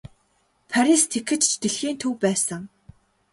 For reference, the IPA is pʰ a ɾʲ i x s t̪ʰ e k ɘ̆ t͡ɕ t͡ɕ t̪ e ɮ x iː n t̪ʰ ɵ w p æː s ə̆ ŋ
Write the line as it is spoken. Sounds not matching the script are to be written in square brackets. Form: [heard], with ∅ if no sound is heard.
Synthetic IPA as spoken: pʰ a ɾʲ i [∅] s t̪ʰ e k ɘ̆ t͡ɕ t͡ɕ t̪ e ɮ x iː n t̪ʰ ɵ w p æː s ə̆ ŋ